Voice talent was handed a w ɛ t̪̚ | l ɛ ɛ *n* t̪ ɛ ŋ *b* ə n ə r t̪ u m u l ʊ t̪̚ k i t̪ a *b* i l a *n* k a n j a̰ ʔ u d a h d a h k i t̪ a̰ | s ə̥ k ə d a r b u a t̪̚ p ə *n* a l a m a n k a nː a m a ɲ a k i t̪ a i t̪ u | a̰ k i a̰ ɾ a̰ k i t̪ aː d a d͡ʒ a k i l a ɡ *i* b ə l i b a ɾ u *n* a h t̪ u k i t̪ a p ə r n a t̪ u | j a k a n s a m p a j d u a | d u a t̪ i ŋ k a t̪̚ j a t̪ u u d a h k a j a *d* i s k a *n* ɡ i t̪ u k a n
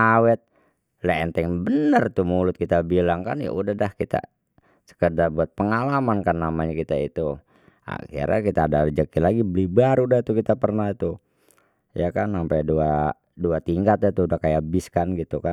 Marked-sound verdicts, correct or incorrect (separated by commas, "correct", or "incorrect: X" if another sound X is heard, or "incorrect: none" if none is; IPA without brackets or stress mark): correct, correct, correct, incorrect: ŋ, incorrect: ŋ, correct, incorrect: d, incorrect: b, correct